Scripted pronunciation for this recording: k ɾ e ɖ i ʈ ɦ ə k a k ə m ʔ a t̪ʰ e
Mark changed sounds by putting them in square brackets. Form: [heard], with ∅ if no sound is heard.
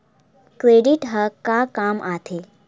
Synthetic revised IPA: k ɾ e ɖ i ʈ ɦ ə k a k [a] m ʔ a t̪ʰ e